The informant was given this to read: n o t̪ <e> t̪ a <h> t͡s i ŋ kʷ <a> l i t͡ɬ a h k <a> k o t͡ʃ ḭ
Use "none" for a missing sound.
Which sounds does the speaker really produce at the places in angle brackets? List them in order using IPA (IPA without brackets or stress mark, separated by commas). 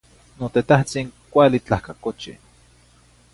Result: e, h, a, a